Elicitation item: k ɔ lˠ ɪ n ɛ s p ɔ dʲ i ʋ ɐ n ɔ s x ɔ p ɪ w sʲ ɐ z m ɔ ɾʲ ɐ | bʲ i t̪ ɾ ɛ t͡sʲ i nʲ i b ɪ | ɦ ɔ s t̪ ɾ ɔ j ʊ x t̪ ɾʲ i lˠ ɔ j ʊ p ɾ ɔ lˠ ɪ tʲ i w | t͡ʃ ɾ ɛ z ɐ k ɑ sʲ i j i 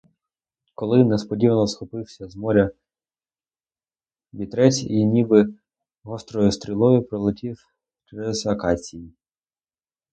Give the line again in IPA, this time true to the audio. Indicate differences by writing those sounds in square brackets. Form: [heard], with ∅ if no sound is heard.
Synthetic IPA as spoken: k ɔ lˠ ɪ n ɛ s p ɔ dʲ i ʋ ɐ n ɔ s x ɔ p ɪ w sʲ ɐ z m ɔ ɾʲ ɐ | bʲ i t̪ ɾ ɛ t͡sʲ i nʲ i b ɪ | ɦ ɔ s t̪ ɾ ɔ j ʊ [s] t̪ ɾʲ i lˠ ɔ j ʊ p ɾ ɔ lˠ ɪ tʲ i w | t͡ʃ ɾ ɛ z ɐ k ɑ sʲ i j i